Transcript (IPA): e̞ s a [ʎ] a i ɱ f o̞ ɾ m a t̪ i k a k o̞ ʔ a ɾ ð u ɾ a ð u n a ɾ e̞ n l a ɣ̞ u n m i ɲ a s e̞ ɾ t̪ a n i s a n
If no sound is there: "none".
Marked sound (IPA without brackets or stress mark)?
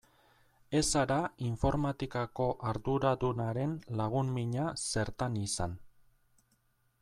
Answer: ɾ